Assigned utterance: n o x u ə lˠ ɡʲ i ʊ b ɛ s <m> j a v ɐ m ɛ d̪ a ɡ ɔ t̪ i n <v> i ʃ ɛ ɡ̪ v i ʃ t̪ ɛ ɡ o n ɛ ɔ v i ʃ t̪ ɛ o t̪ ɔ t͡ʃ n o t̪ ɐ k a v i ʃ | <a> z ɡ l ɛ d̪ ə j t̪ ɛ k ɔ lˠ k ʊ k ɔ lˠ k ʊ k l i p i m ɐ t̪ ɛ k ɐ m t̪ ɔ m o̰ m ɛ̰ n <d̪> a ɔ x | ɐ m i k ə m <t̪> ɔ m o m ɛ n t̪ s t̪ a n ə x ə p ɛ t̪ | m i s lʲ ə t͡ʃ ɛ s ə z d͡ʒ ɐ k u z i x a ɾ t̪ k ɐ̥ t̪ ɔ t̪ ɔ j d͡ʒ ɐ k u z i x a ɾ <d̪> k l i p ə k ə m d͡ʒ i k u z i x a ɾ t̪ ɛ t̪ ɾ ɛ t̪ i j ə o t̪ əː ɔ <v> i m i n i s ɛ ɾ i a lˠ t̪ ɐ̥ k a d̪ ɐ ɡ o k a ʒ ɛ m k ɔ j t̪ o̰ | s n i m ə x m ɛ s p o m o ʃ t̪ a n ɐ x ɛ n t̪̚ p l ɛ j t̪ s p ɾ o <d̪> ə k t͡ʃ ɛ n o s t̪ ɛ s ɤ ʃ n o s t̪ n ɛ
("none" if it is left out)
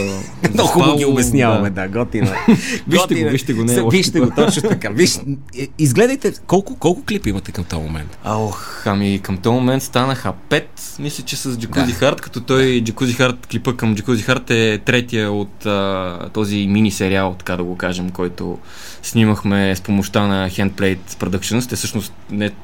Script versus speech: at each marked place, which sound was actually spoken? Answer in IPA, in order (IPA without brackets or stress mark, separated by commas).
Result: n, v, i, t̪, t̪, t̪, z, d̪